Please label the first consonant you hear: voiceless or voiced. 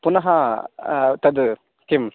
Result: voiceless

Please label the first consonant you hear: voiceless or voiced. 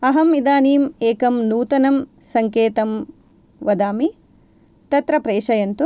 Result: voiced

